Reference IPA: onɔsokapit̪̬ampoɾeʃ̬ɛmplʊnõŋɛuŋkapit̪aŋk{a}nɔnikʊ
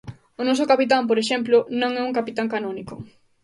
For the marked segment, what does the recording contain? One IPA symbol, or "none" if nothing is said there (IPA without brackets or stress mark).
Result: a